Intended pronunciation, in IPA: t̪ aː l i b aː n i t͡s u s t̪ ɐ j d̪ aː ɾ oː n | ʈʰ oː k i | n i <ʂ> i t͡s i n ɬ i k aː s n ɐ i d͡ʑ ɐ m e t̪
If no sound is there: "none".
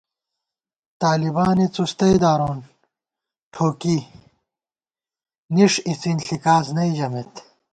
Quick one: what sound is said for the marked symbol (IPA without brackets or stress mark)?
ʂ